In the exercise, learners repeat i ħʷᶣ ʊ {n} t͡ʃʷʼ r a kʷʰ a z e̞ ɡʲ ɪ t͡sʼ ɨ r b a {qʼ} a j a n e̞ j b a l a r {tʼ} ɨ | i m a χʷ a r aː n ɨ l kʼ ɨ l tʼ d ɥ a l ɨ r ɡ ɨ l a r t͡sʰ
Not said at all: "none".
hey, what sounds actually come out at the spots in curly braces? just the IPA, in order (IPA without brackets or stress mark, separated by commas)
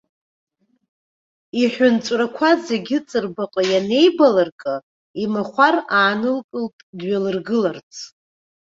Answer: n, qʼ, kʼ